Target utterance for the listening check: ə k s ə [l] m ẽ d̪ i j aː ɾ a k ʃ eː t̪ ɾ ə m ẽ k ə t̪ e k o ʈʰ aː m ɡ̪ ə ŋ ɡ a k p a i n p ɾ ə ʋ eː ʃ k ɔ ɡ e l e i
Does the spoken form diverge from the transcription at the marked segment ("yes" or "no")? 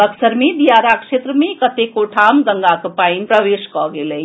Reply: yes